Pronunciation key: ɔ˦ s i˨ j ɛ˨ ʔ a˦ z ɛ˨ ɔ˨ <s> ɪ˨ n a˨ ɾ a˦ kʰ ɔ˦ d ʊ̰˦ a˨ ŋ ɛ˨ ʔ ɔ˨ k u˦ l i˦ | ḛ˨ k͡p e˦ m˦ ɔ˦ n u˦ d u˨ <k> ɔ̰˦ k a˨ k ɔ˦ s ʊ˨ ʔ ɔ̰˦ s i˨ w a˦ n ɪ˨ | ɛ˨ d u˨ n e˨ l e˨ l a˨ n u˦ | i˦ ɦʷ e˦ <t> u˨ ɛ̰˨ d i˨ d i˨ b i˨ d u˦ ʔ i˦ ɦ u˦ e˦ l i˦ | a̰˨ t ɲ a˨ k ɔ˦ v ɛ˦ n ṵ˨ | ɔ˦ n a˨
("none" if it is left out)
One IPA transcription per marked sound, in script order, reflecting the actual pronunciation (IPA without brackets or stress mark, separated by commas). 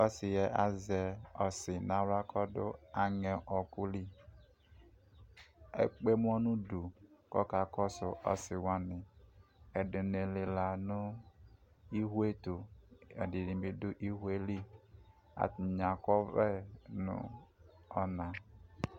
s, k, t